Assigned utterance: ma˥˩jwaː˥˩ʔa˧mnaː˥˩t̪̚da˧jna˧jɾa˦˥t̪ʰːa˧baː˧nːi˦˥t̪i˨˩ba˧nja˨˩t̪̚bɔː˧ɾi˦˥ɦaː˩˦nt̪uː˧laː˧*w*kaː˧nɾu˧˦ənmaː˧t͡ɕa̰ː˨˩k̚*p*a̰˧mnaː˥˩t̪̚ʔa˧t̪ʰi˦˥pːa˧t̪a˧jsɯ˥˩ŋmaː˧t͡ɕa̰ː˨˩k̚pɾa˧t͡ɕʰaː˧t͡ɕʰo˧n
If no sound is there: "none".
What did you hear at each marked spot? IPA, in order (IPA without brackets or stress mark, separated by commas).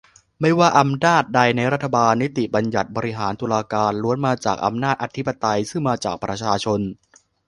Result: none, ʔ